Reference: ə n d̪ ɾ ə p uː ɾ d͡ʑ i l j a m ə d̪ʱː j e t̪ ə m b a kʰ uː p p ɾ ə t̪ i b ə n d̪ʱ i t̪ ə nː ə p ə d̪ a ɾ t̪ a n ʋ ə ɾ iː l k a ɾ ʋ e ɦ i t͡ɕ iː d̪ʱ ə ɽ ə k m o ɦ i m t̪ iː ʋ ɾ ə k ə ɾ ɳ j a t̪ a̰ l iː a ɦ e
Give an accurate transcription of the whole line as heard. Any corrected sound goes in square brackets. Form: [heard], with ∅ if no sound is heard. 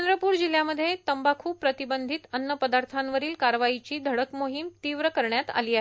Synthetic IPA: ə n d̪ ɾ ə p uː ɾ d͡ʑ i l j a m ə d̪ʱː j e t̪ ə m b a kʰ uː p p ɾ ə t̪ i b ə n d̪ʱ i t̪ ə nː ə p ə d̪ a ɾ [t̪ʰ] a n ʋ ə ɾ iː l k a ɾ ʋ [a] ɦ i t͡ɕ iː d̪ʱ ə ɽ ə k m o ɦ i m t̪ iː ʋ ɾ ə k ə ɾ ɳ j a t̪ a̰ l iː a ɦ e